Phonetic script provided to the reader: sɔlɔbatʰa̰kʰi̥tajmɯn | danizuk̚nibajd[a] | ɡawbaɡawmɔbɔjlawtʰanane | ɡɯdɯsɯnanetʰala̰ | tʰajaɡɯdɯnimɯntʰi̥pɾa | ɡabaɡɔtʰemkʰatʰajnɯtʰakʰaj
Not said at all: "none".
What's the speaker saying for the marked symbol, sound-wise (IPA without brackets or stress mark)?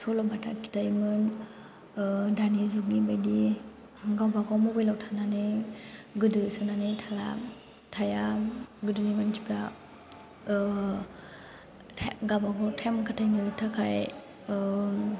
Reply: i